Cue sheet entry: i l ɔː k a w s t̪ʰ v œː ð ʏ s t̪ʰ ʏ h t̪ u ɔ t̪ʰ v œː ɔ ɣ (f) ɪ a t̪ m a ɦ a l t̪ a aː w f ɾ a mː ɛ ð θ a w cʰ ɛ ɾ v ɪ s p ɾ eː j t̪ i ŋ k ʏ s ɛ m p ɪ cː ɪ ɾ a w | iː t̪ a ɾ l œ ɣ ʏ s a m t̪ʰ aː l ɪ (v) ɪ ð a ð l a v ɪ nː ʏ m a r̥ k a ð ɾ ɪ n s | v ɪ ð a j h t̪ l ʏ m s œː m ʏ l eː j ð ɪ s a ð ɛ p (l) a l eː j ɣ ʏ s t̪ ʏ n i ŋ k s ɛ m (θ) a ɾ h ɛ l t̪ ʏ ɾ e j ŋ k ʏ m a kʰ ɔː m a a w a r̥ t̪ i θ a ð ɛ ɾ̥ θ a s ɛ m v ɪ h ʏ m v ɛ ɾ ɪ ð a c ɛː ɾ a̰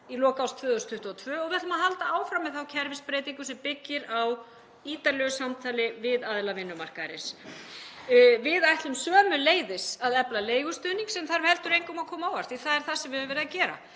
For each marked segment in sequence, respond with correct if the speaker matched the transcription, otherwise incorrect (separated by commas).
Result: incorrect, correct, correct, correct